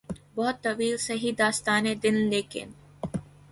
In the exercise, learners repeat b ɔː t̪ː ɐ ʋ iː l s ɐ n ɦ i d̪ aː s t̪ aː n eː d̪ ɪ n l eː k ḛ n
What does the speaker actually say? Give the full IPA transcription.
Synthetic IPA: b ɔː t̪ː ɐ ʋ iː l s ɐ ɦ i d̪ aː s t̪ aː n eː d̪ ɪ n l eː k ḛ n